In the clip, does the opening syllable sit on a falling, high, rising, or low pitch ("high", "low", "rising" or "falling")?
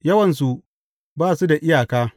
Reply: high